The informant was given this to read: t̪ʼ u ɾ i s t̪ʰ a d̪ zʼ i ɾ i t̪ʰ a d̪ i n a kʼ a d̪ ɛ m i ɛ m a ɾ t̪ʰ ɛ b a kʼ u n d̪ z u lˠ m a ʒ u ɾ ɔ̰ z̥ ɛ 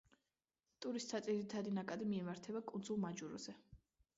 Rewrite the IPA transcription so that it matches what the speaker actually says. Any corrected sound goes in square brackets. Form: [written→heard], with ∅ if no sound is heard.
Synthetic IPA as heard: t̪ʼ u ɾ i s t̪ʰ a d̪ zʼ i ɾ i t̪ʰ a d̪ i n a kʼ a d̪ [ɛ→i] m i ɛ m a ɾ t̪ʰ ɛ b a kʼ u n d̪ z u lˠ m a [ʒ→d͡ʒ] u ɾ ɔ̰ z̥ ɛ